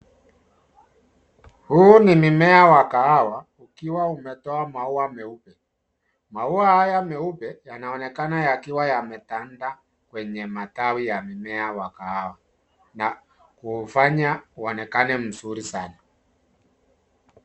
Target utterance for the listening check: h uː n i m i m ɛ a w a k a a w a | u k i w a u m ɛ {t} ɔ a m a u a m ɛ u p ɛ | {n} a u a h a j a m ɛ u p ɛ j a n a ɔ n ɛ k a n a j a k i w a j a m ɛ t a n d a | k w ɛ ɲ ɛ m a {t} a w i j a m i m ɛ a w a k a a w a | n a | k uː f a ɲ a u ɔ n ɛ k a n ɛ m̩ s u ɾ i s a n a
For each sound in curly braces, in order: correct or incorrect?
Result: correct, incorrect: m, correct

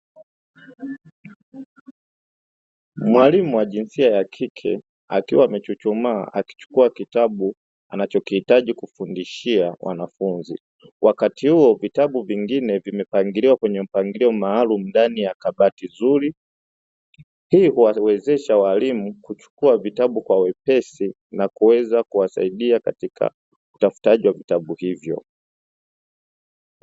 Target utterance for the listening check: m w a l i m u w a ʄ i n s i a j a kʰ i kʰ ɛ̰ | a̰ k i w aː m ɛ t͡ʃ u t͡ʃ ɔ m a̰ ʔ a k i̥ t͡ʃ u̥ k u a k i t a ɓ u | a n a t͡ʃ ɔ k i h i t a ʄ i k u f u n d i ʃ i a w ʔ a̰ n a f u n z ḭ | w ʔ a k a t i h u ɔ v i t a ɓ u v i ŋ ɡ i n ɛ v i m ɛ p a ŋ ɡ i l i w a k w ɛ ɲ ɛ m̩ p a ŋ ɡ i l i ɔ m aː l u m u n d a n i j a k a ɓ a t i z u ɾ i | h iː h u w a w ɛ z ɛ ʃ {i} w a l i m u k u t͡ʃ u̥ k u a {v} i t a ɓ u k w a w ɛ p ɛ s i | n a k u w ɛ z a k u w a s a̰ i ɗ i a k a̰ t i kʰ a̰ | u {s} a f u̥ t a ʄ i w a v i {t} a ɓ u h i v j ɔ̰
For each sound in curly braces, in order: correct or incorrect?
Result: incorrect: a, correct, incorrect: t, correct

